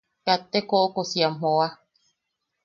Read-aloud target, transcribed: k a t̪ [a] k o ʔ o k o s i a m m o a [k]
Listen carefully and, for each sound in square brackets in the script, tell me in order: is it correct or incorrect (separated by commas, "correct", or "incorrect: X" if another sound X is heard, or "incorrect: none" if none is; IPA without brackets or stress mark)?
incorrect: e, incorrect: none